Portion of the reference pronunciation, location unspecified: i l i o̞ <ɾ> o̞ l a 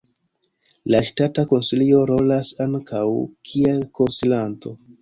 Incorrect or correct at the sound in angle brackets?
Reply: correct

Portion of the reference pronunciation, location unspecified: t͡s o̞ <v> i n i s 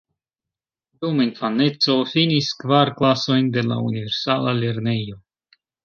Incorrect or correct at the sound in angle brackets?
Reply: incorrect: f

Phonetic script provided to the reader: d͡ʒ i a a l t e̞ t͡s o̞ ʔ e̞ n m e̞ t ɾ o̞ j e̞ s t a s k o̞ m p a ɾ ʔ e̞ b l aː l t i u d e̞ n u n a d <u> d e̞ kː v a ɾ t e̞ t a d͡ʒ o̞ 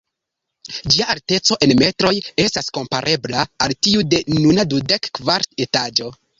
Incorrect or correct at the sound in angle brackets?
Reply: correct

